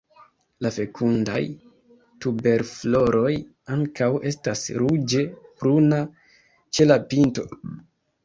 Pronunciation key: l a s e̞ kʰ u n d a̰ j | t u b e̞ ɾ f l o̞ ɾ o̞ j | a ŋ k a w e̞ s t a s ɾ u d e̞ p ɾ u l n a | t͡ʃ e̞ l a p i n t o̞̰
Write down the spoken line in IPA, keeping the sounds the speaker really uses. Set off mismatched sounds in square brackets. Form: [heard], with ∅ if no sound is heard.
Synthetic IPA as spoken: l a [f] e̞ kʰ u n d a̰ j | t u b e̞ ɾ f l o̞ ɾ o̞ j | a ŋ k a w e̞ s t a s ɾ u [d͡ʒ] e̞ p ɾ u [∅] n a | t͡ʃ e̞ l a p i n t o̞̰

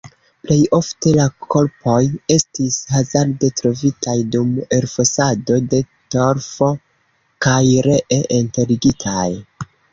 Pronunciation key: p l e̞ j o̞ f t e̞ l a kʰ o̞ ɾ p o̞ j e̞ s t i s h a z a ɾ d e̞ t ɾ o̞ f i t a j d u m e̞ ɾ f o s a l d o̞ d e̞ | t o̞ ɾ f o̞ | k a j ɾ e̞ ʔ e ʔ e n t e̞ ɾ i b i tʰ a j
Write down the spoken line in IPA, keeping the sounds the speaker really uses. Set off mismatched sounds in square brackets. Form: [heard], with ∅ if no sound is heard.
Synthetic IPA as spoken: p l e̞ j o̞ f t e̞ l a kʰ o̞ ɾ p o̞ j e̞ s t i s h a z a ɾ d e̞ t ɾ o̞ [v] i t a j d u m e̞ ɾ f o s a [∅] d o̞ d e̞ | t o̞ ɾ f o̞ | k a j ɾ e̞ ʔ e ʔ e n t e̞ ɾ i [ɡ] i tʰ a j

